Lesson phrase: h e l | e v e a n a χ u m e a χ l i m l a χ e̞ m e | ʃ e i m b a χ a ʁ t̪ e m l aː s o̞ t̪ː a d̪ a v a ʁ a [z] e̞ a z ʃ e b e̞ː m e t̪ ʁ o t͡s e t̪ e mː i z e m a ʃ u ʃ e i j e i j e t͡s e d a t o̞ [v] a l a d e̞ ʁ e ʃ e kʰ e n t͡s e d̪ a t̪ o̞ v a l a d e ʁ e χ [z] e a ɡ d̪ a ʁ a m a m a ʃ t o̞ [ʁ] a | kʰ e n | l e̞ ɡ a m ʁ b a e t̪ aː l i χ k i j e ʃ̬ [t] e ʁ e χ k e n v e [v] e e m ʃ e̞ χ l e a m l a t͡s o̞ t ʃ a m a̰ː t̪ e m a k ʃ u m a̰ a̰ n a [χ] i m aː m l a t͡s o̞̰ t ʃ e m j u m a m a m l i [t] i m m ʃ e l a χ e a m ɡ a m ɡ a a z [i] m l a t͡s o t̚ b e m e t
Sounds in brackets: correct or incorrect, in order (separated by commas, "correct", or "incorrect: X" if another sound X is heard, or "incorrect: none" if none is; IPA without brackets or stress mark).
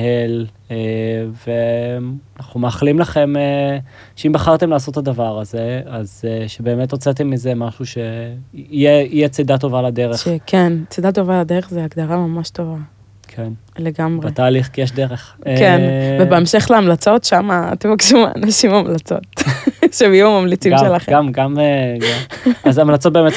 correct, correct, correct, incorrect: v, incorrect: d, incorrect: b, incorrect: ʃ, incorrect: t͡s, incorrect: a